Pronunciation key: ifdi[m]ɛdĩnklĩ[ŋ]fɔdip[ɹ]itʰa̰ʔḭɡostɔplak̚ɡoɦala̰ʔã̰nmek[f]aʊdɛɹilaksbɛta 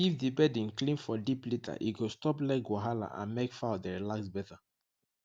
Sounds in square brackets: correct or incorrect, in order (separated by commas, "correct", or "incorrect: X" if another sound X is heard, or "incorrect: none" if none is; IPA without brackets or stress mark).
incorrect: b, incorrect: n, incorrect: l, correct